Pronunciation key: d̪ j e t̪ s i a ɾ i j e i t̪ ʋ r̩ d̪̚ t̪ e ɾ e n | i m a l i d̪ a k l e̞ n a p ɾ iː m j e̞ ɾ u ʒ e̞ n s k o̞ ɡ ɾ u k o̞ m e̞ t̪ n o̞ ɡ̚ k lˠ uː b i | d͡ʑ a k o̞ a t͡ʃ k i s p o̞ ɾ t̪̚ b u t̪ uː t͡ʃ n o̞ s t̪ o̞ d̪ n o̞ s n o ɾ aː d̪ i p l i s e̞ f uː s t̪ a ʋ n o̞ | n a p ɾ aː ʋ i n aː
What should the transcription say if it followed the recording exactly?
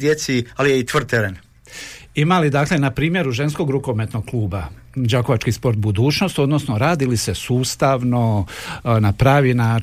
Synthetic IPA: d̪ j e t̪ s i a l i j e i t̪ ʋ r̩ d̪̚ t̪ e ɾ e n | i m a l i d̪ a k l e̞ n a p ɾ iː m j e̞ ɾ u ʒ e̞ n s k o̞ ɡ ɾ u k o̞ m e̞ t̪ n o̞ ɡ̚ k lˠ uː b a | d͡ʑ a k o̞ a t͡ʃ k i s p o̞ ɾ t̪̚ b u d̪ uː t͡ʃ n o̞ s t̪ o̞ d̪ n o̞ s n o ɾ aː d̪ i l i s e̞ s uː s t̪ a ʋ n o̞ | n a p ɾ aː ʋ i n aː